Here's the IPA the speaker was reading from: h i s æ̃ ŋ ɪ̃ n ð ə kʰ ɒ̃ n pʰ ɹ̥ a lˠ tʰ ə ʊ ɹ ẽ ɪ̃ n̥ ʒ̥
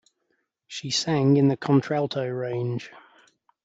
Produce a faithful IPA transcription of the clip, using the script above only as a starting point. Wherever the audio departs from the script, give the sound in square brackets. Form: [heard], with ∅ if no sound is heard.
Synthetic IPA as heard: [ʃ] i s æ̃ ŋ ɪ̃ n ð ə kʰ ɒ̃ n [tʰ] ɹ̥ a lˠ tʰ ə ʊ ɹ ẽ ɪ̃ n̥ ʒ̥

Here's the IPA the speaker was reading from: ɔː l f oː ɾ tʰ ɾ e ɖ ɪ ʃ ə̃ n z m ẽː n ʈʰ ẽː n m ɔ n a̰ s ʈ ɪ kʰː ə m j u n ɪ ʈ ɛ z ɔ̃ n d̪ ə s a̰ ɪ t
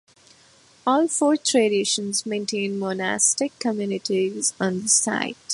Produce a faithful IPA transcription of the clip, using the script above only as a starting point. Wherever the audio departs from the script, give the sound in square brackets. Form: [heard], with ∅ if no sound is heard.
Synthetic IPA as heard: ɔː l f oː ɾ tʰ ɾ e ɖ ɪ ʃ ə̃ n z m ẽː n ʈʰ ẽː n m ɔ n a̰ s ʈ ɪ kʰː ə m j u n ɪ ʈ [i] z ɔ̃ n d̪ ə s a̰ ɪ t

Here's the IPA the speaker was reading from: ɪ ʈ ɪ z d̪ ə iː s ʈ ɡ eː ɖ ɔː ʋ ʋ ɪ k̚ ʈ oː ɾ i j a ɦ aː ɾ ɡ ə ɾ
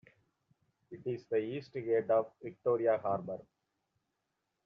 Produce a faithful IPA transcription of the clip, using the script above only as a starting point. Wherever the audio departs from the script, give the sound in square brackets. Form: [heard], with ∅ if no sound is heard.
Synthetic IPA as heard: ɪ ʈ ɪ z d̪ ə iː s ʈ ɡ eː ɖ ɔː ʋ ʋ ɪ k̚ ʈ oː ɾ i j a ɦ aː ɾ [b] ə ɾ

